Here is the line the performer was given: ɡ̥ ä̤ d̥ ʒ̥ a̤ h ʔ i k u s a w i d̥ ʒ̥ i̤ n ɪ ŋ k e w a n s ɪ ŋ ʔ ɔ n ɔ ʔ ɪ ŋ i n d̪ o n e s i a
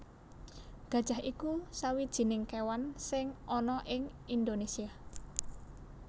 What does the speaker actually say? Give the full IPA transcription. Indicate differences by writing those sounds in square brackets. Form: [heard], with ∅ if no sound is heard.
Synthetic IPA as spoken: ɡ̥ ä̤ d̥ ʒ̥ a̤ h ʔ i k u s a w i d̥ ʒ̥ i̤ n ɪ ŋ k e w a n s ɪ ŋ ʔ ɔ n ɔ ʔ ɪ ŋ i n d̪ o n e s i a